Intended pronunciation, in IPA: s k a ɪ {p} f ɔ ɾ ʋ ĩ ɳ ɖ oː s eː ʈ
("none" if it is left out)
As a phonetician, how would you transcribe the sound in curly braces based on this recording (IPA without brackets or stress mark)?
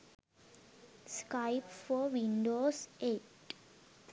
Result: p